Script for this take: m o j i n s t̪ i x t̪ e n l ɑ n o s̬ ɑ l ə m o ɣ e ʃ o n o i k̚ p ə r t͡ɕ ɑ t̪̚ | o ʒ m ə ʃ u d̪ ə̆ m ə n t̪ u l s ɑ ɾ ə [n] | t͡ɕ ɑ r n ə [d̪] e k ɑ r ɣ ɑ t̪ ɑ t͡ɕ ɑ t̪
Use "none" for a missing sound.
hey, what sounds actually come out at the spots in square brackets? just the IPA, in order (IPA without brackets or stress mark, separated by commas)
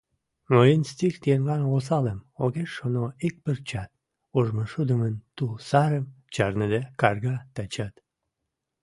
m, d̪